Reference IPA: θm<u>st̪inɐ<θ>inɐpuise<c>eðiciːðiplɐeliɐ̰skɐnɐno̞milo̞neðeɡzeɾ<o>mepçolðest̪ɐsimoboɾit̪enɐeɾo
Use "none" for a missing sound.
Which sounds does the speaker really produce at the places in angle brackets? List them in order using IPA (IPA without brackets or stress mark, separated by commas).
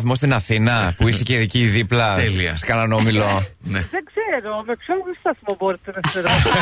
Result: o, θ, c, o